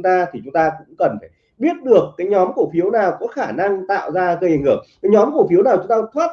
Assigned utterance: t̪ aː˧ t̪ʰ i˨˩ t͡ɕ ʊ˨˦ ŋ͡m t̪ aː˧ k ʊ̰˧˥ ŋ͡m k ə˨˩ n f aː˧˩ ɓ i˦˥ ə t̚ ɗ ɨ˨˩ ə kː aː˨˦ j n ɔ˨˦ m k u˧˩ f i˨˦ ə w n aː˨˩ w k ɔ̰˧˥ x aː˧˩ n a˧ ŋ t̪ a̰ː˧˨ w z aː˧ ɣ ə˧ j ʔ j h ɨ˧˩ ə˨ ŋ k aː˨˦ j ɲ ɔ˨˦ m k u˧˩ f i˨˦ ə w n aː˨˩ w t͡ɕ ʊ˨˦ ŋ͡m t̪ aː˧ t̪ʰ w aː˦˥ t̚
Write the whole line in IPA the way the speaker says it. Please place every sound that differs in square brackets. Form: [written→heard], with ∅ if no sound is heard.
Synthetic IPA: t̪ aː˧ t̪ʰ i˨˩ t͡ɕ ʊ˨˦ ŋ͡m t̪ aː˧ k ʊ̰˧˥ ŋ͡m k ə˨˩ n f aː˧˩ ɓ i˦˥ ə t̚ ɗ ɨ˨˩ ə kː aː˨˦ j [n→ɲ] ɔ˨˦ m k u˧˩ f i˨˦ ə w n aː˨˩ w k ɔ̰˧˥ x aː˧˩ n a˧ ŋ t̪ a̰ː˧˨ w z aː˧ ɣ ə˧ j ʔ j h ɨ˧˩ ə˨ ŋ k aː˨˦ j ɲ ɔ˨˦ m k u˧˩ f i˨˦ ə w n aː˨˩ w t͡ɕ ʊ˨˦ ŋ͡m t̪ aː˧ t̪ʰ w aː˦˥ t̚